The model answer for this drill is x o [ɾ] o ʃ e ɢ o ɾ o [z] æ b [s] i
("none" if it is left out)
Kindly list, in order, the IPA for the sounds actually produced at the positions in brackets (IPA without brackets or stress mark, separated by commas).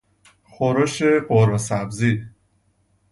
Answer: ɾ, s, z